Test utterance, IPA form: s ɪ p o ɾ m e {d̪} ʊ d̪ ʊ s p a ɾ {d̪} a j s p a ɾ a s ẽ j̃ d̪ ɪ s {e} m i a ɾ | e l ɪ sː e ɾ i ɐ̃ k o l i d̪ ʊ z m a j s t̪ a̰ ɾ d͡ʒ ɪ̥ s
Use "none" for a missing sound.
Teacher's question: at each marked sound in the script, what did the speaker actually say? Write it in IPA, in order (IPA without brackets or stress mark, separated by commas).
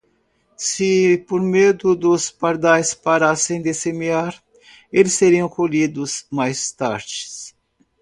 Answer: d̪, d̪, e